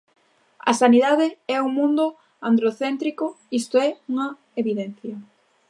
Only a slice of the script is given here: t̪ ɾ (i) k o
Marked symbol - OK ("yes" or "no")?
yes